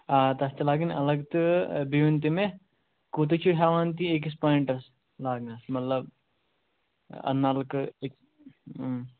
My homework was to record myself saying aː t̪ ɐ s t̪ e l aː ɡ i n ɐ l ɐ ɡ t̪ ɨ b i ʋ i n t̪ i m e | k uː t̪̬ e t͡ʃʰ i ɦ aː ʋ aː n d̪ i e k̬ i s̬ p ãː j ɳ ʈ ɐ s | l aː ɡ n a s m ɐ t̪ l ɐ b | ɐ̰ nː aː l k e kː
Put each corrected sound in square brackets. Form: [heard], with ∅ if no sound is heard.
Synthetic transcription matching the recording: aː t̪ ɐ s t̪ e l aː ɡ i n ɐ l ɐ ɡ t̪ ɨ b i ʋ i n t̪ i m e | k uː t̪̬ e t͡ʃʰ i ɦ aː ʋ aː n [t̪] i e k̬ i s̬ p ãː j ɳ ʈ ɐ s | l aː ɡ n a s m ɐ t̪ l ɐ b | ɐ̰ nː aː l k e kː

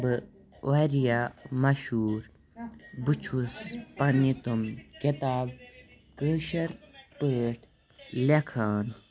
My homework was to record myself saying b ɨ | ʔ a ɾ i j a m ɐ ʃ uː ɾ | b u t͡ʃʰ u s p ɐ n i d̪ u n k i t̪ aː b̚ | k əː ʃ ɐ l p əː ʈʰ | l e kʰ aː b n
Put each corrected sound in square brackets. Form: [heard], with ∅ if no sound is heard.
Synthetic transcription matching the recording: b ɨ | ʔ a ɾ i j a m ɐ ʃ uː ɾ | b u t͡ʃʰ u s p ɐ n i [t̪] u [m] k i t̪ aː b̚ | k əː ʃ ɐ [ɾ] p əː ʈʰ | l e kʰ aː [∅] n

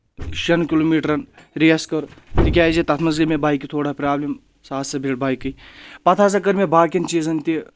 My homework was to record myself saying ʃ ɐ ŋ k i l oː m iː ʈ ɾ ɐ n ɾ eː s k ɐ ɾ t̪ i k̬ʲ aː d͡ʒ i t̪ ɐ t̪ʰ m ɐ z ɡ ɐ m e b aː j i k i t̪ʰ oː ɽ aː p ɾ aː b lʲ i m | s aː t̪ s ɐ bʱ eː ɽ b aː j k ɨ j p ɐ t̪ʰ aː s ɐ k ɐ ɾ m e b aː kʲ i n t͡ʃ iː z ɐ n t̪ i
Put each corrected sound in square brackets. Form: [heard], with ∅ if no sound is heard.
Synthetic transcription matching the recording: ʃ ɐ [n] k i l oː m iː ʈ ɾ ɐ n ɾ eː s k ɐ ɾ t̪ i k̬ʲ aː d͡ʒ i t̪ ɐ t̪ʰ m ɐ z ɡ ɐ m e b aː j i k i t̪ʰ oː ɽ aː p ɾ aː b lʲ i m | s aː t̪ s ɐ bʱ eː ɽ b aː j k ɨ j p ɐ t̪ʰ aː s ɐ k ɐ ɾ m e b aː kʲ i n t͡ʃ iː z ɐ n t̪ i

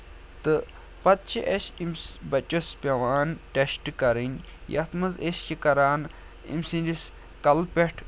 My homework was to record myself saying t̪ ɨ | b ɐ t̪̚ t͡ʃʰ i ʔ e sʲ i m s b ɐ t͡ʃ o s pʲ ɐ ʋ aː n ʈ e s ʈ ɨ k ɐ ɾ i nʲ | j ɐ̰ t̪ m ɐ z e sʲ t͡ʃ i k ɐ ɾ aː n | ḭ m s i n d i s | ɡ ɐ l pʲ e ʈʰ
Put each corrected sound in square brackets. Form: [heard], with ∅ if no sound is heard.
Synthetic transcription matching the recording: t̪ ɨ | [p] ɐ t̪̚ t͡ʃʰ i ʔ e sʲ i m s b ɐ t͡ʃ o s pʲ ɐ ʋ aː n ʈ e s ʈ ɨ k ɐ ɾ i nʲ | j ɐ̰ t̪ m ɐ z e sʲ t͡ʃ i k ɐ ɾ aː n | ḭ m s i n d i s | [k] ɐ l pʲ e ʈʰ

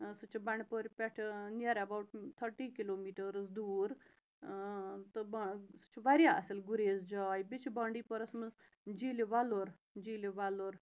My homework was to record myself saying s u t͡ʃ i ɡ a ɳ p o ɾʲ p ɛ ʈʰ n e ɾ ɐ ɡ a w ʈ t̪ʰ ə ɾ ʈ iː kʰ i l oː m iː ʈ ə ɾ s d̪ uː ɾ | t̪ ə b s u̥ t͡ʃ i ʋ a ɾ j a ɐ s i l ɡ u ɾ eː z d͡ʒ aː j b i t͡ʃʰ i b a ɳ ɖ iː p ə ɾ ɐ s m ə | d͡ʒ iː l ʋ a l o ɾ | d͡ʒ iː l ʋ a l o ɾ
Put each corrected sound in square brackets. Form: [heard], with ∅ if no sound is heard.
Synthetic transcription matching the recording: s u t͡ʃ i [b] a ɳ p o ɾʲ p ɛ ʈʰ n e ɾ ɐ [b] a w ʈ t̪ʰ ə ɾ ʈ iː [k] i l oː m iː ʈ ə ɾ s d̪ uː ɾ | t̪ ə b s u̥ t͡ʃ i ʋ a ɾ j a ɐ s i l ɡ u ɾ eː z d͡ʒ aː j b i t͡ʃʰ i b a ɳ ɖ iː p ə ɾ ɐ s m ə | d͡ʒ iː l ʋ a l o ɾ | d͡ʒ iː l ʋ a l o ɾ

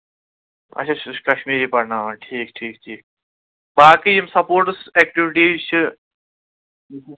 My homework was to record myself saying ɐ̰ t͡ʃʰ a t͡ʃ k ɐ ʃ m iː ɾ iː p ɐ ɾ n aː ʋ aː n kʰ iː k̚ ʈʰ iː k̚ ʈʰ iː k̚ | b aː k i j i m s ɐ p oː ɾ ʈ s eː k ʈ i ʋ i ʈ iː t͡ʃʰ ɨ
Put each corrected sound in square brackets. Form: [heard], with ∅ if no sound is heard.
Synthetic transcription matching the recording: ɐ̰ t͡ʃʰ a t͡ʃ k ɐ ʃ m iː ɾ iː p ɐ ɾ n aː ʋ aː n [ʈʰ] iː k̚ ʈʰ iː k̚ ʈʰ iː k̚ | b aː k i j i m s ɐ p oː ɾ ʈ s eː k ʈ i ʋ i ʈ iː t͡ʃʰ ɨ

